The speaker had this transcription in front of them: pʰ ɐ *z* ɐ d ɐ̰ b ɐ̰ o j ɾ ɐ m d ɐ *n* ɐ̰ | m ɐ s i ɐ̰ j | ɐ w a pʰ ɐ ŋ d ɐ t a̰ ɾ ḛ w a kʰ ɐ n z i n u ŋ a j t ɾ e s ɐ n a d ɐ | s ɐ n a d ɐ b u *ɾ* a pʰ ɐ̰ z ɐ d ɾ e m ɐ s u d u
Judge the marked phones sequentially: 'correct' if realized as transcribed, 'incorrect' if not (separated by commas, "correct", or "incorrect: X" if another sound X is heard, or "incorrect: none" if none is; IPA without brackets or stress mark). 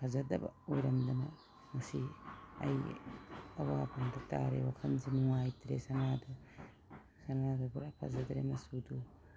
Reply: correct, correct, correct